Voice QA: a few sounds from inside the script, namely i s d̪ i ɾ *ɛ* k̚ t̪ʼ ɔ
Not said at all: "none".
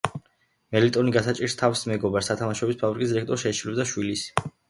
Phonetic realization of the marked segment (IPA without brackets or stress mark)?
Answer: ɛ